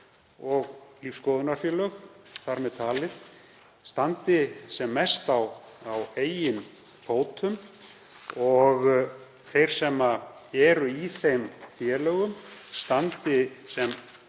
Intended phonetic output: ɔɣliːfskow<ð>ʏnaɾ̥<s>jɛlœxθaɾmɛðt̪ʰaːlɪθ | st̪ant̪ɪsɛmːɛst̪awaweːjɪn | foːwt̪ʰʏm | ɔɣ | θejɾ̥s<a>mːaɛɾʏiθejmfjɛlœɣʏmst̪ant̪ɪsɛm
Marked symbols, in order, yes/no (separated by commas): yes, no, no